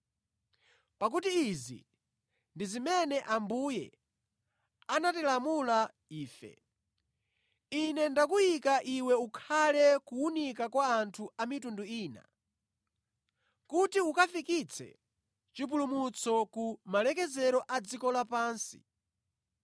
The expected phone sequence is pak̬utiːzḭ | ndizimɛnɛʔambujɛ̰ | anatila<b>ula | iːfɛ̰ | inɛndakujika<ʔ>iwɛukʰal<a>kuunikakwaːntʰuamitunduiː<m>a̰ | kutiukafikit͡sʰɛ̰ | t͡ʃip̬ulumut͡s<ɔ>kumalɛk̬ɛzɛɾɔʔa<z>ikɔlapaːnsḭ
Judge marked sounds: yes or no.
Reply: no, yes, no, no, yes, no

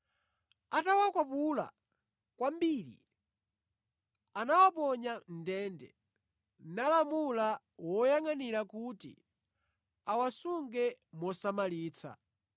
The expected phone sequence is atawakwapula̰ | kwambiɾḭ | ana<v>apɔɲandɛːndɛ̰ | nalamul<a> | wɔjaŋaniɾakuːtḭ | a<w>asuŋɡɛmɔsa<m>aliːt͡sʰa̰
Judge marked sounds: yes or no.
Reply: no, yes, yes, yes

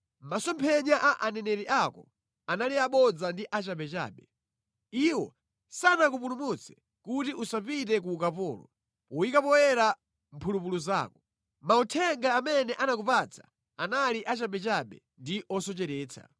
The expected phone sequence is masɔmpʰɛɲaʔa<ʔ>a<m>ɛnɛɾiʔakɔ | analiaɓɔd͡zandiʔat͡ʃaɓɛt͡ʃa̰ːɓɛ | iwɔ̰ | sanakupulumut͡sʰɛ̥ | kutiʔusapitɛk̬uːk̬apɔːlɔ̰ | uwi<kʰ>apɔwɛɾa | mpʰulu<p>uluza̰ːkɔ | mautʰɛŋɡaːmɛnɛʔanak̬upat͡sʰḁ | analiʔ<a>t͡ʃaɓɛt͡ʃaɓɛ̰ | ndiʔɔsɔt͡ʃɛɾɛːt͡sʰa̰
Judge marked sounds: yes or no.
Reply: yes, no, no, yes, yes

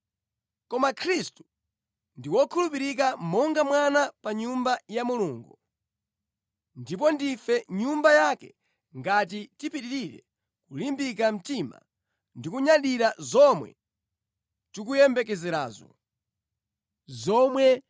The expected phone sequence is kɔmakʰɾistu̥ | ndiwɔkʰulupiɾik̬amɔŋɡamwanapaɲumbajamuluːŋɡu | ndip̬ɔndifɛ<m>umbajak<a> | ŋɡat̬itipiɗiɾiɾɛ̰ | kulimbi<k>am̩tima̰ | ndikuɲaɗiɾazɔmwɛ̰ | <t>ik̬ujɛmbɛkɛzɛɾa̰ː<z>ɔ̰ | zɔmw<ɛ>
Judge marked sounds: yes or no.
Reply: no, no, yes, yes, yes, yes

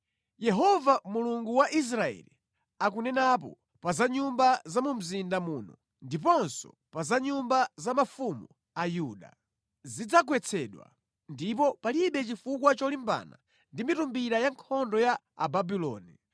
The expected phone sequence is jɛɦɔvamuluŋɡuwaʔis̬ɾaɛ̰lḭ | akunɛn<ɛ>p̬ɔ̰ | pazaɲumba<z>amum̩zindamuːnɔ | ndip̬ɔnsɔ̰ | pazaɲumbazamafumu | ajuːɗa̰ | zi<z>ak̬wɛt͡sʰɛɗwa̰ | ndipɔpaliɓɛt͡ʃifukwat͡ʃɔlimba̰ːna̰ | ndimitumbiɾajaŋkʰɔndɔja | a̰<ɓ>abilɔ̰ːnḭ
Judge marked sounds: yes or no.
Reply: no, yes, no, no

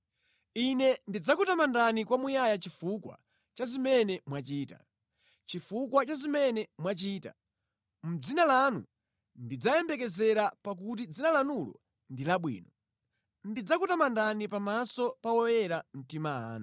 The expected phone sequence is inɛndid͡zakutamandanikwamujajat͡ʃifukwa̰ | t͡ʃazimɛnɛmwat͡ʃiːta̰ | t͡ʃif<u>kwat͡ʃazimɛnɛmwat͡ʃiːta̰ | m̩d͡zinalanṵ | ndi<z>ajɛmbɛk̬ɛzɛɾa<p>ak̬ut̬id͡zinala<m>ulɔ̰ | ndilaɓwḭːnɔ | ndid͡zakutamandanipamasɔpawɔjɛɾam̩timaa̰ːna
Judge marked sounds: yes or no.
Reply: yes, no, yes, no

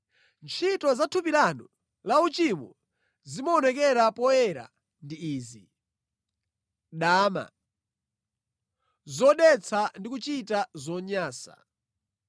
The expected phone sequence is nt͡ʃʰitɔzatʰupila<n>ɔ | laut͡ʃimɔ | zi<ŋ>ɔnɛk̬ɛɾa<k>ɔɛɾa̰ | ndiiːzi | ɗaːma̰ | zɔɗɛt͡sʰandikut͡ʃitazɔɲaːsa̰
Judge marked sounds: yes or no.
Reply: yes, no, no

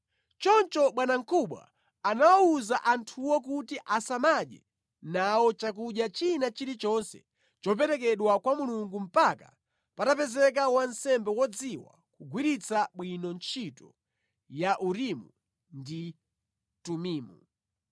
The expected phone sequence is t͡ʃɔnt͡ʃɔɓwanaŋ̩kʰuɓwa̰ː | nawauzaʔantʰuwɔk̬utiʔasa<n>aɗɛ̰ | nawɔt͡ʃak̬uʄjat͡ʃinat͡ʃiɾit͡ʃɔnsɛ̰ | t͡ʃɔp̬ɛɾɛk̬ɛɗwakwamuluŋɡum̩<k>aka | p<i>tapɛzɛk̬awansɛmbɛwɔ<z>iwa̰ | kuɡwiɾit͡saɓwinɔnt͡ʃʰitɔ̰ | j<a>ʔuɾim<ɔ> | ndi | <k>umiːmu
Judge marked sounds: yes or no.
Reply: no, no, no, no, yes, no, no

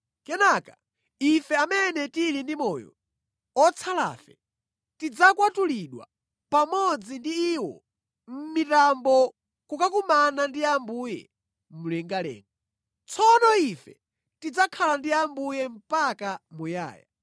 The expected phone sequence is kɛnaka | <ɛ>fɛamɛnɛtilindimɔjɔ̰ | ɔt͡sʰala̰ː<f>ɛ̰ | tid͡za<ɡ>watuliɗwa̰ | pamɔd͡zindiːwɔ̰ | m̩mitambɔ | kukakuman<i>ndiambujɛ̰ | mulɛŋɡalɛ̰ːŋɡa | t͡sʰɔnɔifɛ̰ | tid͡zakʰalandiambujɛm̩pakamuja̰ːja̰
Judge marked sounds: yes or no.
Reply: no, yes, no, no

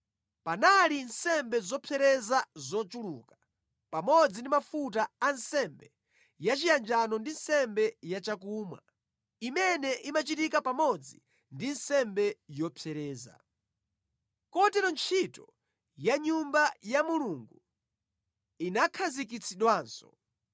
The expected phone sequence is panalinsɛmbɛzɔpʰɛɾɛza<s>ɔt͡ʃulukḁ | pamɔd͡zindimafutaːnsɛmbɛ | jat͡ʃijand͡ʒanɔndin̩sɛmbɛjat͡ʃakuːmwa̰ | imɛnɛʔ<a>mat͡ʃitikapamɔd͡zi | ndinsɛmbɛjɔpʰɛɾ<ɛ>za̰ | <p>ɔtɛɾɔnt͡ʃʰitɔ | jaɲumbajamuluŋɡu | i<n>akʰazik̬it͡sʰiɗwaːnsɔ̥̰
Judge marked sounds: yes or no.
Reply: no, no, no, no, yes

